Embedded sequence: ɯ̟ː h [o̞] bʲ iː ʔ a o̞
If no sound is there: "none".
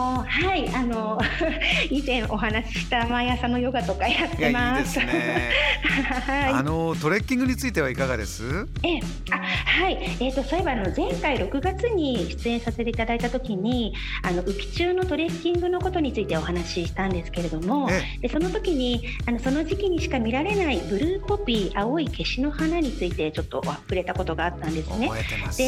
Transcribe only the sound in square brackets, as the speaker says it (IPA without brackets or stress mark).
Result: o̞